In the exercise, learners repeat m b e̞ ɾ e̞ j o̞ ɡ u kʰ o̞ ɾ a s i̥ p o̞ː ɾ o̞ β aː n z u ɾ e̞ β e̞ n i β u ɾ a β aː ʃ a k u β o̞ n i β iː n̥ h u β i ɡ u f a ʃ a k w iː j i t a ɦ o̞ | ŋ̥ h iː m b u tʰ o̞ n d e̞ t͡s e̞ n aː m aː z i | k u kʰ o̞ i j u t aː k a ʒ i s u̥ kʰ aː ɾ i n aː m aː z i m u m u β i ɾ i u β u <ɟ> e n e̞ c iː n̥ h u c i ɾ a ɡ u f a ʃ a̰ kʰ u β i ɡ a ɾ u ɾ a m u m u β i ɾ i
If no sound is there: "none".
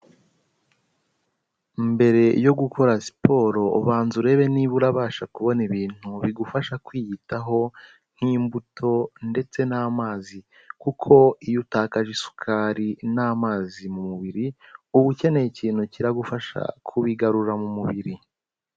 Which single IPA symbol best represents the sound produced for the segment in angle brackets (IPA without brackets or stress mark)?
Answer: c